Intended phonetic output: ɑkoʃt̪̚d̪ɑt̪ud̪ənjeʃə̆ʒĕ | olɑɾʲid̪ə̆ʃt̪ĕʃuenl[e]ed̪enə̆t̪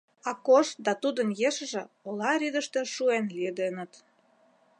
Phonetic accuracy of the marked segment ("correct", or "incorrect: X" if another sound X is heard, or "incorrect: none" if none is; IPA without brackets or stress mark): incorrect: i